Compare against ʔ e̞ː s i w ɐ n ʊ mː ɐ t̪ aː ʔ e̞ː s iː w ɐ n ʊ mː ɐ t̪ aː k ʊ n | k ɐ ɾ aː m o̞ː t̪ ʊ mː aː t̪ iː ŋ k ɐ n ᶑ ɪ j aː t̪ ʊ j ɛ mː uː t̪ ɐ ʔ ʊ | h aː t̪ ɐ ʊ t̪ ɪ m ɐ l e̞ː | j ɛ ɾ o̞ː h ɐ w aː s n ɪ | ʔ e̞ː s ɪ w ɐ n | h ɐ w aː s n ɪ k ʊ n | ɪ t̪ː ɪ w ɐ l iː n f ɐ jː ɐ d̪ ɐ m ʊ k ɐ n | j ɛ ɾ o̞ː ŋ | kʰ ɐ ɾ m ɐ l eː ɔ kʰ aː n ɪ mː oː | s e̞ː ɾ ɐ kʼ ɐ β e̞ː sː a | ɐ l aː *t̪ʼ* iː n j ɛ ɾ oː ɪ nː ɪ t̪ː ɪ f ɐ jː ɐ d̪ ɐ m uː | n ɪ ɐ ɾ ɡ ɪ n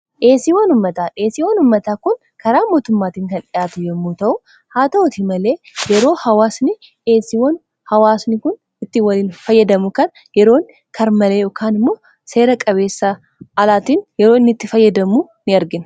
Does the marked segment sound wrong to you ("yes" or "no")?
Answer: yes